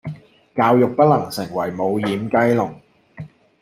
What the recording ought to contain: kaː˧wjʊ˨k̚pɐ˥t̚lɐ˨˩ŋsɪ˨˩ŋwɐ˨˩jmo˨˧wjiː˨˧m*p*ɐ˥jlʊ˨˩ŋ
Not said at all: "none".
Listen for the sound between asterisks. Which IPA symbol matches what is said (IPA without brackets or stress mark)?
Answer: k